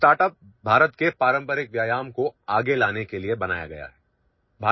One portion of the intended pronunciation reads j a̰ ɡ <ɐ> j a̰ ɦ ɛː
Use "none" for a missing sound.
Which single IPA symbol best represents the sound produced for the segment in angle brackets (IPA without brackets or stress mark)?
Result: ɐ